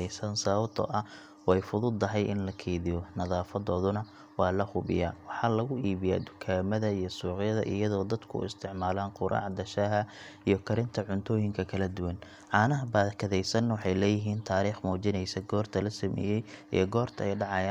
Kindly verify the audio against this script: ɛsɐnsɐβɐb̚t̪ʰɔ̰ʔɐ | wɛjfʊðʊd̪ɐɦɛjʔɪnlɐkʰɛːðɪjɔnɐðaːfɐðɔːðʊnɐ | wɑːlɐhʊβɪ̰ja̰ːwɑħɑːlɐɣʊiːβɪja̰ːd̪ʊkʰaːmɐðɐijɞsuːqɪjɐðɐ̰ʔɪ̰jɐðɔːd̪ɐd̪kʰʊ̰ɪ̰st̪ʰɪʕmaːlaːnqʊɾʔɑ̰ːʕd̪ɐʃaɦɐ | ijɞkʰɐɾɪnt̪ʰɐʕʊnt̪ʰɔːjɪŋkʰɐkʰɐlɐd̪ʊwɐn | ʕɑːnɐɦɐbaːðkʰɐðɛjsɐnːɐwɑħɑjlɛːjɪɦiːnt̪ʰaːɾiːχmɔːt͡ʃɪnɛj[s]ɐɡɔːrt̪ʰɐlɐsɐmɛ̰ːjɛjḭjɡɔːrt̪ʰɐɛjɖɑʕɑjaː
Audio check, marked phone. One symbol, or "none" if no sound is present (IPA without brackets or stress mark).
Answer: s